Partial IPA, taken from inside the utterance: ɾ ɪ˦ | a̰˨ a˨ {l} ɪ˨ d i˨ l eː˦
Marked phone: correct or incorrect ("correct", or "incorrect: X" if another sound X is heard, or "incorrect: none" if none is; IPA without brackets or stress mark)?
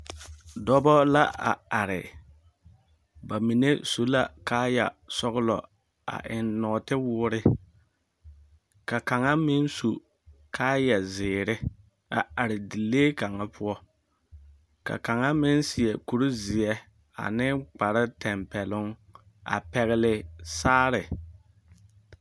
incorrect: ɾ